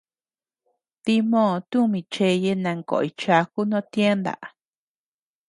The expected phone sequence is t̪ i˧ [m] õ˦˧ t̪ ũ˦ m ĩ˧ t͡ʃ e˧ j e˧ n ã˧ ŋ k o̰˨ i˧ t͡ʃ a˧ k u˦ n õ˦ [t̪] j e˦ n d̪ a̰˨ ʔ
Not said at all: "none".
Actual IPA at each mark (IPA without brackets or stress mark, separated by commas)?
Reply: m, t̪